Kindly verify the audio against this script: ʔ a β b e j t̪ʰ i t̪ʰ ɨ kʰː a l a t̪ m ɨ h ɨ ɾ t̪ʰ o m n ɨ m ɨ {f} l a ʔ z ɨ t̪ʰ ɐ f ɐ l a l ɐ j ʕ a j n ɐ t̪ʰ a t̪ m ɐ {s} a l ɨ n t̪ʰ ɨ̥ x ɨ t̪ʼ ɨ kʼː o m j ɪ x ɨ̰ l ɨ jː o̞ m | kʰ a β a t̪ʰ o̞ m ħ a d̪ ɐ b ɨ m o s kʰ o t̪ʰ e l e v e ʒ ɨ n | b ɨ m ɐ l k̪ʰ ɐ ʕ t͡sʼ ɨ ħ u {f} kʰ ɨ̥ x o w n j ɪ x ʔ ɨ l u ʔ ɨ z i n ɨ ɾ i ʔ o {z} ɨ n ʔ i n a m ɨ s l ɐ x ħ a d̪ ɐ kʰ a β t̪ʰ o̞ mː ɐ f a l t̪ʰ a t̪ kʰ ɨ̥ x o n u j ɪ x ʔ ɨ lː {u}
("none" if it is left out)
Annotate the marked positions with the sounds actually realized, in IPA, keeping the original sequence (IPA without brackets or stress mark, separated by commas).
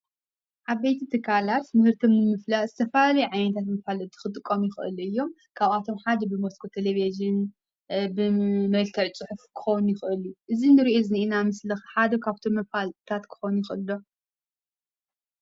f, f, f, z, o